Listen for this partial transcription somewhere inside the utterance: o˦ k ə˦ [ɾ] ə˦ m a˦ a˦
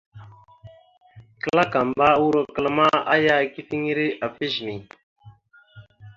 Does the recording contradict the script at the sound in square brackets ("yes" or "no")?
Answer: yes